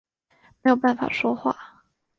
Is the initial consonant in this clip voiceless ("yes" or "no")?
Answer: no